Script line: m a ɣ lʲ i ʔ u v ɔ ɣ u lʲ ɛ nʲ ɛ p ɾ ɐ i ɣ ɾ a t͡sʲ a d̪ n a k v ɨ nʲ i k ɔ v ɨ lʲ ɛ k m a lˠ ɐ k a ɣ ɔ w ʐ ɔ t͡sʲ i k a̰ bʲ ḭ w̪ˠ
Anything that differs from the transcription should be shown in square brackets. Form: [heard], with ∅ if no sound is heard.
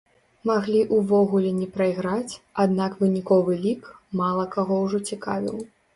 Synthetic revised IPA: m a ɣ lʲ i ʔ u v ɔ ɣ u lʲ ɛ nʲ ɛ p ɾ ɐ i ɣ ɾ a t͡sʲ a d̪ n a k v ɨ nʲ i k ɔ v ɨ lʲ [i] k m a lˠ ɐ k a ɣ ɔ w ʐ ɔ t͡sʲ i k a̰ [vʲ] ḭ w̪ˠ